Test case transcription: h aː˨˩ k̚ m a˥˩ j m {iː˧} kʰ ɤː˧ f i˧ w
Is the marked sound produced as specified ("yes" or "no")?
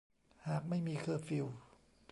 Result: yes